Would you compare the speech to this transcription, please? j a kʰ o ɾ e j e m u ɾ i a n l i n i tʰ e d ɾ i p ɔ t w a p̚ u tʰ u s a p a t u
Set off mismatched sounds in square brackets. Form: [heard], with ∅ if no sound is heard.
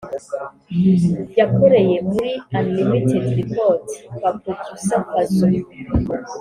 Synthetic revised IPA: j a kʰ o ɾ e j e m u ɾ i a n l i [m] i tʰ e d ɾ i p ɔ t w a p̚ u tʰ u s a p a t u